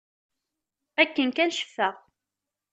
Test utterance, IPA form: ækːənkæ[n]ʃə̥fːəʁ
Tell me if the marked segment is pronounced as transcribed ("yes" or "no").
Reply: yes